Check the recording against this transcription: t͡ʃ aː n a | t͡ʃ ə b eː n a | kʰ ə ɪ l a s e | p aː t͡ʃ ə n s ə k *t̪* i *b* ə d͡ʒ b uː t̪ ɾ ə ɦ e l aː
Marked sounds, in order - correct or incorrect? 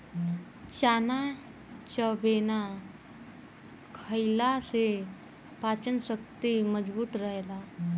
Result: correct, incorrect

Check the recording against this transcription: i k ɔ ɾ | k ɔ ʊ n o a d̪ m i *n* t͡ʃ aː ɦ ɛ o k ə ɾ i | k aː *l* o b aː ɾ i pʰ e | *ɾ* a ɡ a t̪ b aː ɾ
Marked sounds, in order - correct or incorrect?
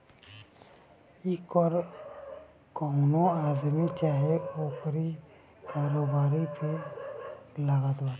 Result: incorrect, incorrect, incorrect

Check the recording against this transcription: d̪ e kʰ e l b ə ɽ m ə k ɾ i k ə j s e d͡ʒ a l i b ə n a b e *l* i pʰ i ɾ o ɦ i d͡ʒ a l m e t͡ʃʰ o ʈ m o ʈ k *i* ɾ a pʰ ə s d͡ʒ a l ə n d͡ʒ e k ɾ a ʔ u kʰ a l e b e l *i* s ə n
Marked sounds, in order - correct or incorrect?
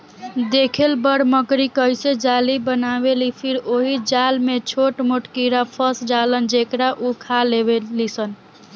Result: correct, correct, correct

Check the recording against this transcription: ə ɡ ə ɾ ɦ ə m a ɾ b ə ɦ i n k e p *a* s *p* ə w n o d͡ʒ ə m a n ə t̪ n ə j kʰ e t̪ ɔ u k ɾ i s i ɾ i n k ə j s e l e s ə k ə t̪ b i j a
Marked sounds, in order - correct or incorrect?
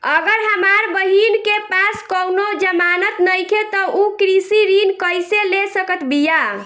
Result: correct, incorrect

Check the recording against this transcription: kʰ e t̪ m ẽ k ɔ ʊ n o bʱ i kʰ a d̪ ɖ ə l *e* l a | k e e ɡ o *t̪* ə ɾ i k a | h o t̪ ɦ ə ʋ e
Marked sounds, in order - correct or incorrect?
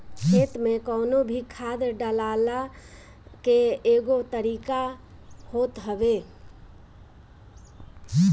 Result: incorrect, correct

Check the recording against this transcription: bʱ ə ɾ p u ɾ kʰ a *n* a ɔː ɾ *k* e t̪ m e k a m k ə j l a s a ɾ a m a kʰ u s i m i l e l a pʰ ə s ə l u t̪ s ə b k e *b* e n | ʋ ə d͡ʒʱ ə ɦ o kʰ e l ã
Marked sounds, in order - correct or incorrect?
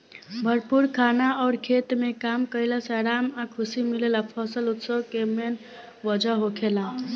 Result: correct, incorrect, incorrect

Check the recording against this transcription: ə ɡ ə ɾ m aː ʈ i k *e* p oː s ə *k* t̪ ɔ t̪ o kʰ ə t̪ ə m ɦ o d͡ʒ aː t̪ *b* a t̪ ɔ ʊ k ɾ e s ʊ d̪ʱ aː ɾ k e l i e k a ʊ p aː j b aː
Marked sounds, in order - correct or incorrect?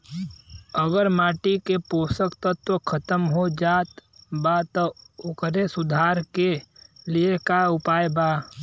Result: correct, correct, correct

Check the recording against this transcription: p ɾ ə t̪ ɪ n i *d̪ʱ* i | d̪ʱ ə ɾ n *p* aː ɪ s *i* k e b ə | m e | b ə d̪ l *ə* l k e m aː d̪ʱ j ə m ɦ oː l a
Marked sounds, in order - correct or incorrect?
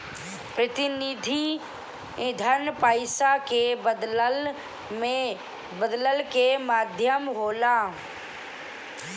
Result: correct, correct, incorrect, correct

